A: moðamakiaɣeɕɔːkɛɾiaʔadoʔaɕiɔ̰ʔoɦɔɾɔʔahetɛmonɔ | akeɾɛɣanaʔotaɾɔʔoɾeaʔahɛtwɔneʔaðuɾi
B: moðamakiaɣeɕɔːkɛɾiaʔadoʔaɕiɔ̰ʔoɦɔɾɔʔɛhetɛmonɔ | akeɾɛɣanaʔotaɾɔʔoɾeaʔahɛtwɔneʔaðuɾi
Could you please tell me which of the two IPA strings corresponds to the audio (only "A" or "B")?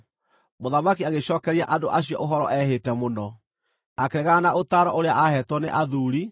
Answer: B